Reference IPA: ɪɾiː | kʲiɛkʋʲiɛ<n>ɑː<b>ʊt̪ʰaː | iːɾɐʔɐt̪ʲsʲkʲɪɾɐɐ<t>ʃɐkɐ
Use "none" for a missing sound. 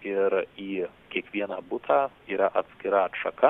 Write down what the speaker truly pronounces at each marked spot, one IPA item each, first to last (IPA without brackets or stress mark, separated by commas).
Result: n, b, t